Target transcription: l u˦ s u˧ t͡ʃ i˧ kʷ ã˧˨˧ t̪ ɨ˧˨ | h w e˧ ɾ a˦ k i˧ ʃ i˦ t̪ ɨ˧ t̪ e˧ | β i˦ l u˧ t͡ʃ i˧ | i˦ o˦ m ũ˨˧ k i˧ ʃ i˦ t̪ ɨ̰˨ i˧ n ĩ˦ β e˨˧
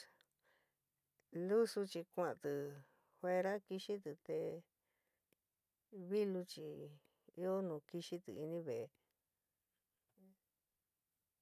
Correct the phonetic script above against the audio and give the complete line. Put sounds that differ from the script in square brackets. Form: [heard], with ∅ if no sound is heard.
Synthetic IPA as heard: l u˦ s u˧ t͡ʃ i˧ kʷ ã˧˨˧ t̪ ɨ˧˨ | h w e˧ ɾ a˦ k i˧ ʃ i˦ t̪ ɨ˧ t̪ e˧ | β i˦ l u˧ t͡ʃ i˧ | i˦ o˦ [n] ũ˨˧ k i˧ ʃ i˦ t̪ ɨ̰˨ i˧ n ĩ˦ β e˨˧